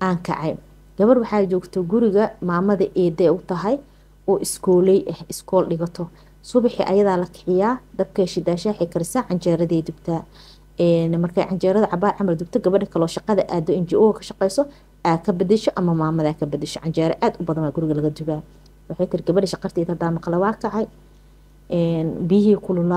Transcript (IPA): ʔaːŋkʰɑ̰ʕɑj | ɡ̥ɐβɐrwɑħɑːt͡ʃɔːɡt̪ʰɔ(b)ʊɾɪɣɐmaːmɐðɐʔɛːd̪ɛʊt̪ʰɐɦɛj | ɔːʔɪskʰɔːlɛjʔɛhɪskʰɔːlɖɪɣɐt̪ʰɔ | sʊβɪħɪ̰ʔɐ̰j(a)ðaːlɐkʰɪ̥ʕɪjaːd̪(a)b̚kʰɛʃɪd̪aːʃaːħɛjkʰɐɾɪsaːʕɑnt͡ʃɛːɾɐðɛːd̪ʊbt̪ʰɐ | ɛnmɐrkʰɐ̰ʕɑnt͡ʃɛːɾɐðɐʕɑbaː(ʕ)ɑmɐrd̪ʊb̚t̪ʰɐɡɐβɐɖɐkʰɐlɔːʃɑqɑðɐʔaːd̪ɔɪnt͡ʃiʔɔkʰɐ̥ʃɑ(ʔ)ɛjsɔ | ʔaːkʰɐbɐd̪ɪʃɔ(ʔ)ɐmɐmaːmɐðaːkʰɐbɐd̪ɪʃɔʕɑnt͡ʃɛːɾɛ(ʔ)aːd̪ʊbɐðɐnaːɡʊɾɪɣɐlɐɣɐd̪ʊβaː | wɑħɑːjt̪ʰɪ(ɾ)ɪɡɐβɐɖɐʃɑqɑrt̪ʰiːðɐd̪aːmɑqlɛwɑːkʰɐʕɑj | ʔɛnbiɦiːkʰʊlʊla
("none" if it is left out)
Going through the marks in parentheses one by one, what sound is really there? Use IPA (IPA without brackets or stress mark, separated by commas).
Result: ɡ, ɐ, ɐ, ʕ, q, ʔ, ʔ, ɾ